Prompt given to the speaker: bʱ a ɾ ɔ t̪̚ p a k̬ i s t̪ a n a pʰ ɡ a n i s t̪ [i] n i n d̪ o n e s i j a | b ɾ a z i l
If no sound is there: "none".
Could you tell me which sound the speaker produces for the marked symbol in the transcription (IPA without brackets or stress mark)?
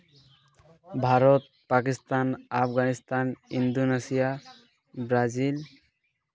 a